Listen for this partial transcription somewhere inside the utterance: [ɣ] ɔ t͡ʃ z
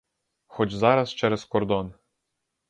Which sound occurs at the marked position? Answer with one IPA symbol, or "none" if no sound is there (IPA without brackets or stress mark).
x